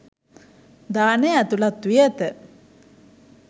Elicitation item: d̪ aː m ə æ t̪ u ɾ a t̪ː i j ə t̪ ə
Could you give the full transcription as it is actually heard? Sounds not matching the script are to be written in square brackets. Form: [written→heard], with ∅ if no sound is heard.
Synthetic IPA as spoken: d̪ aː [m→n] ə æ t̪ u [ɾ→l] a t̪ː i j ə t̪ ə